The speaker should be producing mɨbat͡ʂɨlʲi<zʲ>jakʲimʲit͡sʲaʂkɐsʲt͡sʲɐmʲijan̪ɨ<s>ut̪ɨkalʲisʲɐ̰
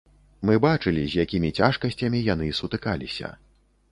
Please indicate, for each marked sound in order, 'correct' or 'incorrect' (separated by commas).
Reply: correct, correct